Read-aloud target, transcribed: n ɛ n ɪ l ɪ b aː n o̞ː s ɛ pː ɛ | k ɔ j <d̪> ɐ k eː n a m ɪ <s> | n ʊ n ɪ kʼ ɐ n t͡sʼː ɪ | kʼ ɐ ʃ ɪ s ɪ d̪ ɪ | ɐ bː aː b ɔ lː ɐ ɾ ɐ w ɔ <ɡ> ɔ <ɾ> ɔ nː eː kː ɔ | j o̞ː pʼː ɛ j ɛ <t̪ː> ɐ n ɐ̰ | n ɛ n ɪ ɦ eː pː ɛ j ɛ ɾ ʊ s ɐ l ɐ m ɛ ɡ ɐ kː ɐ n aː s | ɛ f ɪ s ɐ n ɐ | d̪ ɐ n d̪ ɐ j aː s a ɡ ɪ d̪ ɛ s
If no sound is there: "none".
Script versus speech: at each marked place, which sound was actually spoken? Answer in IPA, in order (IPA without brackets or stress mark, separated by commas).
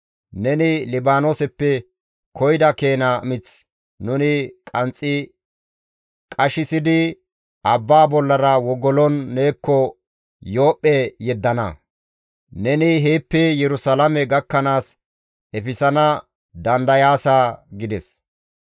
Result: d̪, t͡s, ɡ, l, d̪ː